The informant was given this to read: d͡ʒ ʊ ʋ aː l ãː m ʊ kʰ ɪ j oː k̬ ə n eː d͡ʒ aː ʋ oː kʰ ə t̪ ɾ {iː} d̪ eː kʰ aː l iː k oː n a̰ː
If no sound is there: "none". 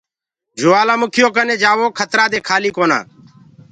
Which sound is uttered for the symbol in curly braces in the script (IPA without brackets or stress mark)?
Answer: aː